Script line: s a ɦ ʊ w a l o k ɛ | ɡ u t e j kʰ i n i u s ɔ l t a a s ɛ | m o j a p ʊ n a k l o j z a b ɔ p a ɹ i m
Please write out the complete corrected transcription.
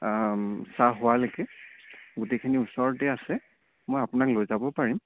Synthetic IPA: s a ɦ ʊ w a l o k ɛ | ɡ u t e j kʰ i n i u s ɔ ɹ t ɛ a s ɛ | m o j a p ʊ n a k l o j z a b ɔ p a ɹ i m